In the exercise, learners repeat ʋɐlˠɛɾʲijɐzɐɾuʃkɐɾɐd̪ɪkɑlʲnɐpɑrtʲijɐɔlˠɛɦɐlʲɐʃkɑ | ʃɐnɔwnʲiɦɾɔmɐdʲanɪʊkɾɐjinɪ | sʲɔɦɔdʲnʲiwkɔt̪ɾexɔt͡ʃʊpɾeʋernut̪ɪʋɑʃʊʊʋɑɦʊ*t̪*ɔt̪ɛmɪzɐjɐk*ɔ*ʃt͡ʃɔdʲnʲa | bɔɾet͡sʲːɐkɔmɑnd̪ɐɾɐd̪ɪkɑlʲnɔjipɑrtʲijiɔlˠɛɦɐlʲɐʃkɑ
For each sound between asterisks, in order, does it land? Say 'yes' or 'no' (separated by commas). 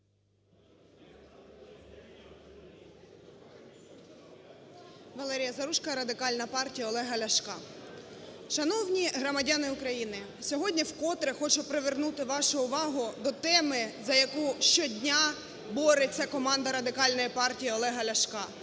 no, no